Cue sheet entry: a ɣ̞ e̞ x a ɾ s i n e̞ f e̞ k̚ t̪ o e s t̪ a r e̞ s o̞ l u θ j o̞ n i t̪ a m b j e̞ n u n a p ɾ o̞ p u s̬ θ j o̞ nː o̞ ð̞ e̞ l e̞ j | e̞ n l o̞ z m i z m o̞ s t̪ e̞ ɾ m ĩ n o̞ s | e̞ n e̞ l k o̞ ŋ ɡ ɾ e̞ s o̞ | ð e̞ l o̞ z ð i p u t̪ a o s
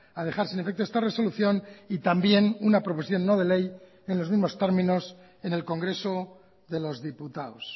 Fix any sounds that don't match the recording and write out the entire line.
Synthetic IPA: a ð̞ e̞ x a ɾ s i n e̞ f e̞ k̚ t̪ o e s t̪ a r e̞ s o̞ l u θ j o̞ n i t̪ a m b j e̞ n u n a p ɾ o̞ p o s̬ θ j o̞ nː o̞ ð̞ e̞ l e̞ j | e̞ n l o̞ z m i z m o̞ s t̪ e̞ ɾ m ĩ n o̞ s | e̞ n e̞ l k o̞ ŋ ɡ ɾ e̞ s o̞ | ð e̞ l o̞ z ð i p u t̪ a o s